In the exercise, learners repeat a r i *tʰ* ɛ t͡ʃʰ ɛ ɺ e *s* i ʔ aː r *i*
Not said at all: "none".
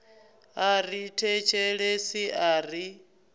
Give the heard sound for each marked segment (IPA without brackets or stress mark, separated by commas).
tʰ, s, i